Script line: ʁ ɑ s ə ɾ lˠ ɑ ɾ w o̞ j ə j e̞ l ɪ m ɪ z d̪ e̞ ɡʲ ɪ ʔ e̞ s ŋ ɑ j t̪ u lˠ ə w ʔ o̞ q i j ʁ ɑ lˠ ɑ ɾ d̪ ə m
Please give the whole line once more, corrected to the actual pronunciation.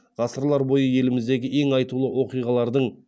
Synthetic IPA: ʁ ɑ s ə ɾ lˠ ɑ ɾ b o̞ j ə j e̞ l ɪ m ɪ z d̪ e̞ ɡʲ ɪ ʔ e̞ ŋ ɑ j t̪ u lˠ ə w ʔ o̞ q i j ʁ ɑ lˠ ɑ ɾ d̪ ə ɴ